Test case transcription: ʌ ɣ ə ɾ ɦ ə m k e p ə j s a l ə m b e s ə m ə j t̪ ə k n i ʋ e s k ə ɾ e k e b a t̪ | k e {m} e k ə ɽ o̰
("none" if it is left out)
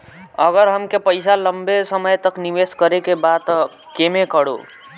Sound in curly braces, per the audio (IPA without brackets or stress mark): m